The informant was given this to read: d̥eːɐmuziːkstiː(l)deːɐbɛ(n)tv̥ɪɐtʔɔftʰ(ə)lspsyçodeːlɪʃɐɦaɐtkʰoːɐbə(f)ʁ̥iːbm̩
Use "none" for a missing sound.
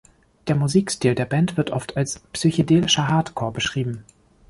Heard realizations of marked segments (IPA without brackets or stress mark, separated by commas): l, n, a, ʃ